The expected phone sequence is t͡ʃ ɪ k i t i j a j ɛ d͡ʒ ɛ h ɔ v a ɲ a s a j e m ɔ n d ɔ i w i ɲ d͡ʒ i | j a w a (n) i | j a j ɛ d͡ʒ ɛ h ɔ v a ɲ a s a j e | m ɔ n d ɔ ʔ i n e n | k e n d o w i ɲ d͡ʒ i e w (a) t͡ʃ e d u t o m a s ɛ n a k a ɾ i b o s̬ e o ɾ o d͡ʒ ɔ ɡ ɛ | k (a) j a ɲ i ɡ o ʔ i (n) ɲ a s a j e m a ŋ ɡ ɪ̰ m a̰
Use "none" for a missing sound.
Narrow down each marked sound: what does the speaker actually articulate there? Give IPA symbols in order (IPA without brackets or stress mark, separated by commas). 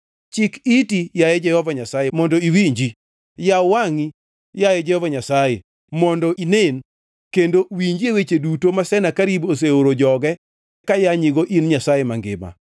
ŋ, e, a, n